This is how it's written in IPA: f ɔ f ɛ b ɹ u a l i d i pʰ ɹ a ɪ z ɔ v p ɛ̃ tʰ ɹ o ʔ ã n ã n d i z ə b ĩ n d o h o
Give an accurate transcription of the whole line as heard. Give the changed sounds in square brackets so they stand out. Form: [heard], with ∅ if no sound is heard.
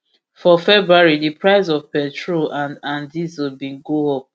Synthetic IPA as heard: f ɔ f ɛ b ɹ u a [ɹ] i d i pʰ ɹ a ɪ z ɔ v p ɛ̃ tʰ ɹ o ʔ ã n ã n d i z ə b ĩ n [ɡ] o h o